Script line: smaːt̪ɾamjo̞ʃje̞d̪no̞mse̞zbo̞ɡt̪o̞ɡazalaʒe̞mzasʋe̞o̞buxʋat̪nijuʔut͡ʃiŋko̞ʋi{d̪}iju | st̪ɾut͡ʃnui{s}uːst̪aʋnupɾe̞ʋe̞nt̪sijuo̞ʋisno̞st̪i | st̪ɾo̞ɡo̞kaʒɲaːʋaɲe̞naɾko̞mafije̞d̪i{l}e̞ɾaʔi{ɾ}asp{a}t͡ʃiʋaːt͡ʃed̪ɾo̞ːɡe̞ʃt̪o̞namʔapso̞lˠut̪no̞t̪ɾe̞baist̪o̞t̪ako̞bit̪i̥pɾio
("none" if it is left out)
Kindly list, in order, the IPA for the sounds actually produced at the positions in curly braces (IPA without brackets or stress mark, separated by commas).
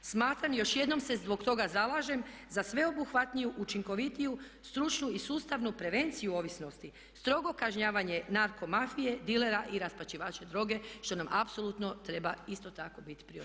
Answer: t̪, s, l, ɾ, a